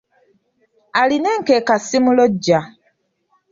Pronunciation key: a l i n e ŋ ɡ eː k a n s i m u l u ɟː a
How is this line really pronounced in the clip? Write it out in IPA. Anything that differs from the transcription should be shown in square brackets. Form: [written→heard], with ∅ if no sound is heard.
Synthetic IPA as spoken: a l i n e ŋ [ɡ→k] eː k a [n→∅] s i m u l [u→o] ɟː a